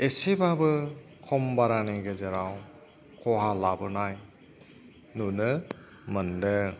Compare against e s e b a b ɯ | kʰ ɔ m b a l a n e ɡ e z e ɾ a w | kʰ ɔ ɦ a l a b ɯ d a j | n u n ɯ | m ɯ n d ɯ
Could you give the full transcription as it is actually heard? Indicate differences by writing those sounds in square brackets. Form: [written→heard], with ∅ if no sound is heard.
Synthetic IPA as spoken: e s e b a b ɯ | kʰ ɔ m b a [l→ɾ] a n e ɡ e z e ɾ a w | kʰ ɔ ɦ a l a b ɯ [d→n] a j | n u n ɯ | m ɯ n d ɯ